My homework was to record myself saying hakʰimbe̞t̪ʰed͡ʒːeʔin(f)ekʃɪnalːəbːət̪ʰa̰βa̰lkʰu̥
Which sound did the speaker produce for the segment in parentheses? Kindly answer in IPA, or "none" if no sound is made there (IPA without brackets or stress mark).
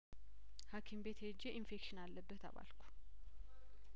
f